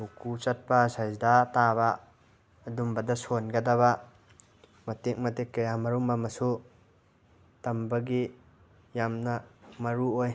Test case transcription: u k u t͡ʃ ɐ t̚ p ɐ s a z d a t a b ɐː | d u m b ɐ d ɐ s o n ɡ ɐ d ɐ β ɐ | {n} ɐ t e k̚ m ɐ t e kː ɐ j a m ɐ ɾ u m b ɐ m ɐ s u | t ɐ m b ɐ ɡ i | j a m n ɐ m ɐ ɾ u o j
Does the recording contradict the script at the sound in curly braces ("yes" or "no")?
yes